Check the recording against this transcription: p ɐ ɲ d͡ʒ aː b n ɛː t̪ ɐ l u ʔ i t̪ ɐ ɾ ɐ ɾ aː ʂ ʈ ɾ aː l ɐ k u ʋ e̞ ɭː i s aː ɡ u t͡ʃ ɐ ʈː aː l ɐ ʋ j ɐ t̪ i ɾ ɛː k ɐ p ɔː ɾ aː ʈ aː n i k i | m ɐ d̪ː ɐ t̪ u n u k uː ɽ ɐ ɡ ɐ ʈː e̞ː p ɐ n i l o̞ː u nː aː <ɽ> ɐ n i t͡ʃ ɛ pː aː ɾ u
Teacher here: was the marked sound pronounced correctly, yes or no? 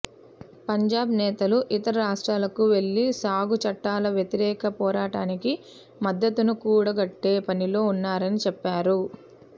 no